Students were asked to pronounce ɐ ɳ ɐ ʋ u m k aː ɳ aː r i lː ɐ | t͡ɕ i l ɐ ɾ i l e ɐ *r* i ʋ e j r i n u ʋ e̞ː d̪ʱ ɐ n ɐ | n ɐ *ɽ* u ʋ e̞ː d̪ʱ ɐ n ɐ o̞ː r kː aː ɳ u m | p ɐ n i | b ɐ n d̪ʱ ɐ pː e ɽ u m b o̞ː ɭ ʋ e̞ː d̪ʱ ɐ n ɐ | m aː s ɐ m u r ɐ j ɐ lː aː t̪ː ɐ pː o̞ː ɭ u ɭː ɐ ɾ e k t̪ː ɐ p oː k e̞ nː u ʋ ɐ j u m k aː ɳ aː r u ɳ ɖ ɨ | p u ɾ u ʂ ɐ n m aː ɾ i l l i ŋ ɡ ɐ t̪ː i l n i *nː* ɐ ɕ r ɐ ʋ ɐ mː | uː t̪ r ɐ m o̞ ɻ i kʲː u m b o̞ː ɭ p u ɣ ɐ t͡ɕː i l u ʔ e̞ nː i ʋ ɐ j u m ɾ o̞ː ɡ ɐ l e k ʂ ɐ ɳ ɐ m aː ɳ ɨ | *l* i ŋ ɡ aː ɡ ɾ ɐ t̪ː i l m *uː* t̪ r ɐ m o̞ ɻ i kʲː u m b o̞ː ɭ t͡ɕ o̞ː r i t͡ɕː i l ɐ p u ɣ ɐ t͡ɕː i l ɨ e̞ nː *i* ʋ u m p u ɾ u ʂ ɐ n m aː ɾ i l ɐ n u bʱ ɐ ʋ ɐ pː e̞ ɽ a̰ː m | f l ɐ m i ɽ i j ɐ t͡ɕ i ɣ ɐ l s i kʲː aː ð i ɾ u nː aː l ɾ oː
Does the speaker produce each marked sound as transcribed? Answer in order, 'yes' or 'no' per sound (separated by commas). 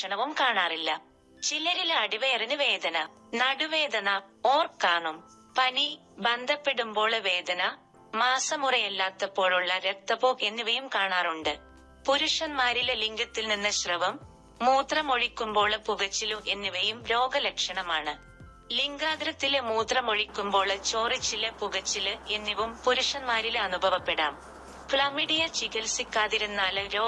no, yes, yes, yes, yes, yes